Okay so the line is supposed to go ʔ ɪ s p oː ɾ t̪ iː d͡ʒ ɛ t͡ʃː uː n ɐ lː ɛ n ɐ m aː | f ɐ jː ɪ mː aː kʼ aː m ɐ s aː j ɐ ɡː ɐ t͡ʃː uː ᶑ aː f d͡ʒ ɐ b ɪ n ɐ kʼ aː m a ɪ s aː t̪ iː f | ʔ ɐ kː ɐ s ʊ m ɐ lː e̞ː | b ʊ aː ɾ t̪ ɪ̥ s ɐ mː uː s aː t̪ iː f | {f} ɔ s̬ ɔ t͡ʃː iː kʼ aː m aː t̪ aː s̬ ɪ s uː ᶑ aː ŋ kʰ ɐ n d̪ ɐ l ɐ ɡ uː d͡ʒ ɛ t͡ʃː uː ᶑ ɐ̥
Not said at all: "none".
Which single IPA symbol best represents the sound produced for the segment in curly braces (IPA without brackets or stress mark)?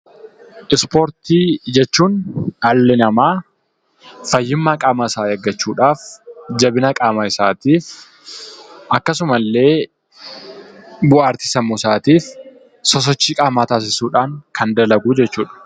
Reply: s